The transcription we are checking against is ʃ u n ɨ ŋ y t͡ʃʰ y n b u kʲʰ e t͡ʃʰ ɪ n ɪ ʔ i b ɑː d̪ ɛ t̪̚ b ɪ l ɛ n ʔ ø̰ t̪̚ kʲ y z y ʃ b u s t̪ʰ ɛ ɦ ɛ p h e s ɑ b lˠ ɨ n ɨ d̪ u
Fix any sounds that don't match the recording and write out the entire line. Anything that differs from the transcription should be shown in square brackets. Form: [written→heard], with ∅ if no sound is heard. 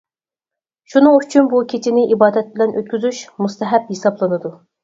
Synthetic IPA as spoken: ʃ u n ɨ ŋ y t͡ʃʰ y n b u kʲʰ e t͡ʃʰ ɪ n ɪ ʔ i b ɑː d̪ ɛ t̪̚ b ɪ l ɛ n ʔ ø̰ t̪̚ kʲ y z y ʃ [b→m] u s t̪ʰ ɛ ɦ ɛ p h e s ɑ b lˠ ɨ n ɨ d̪ u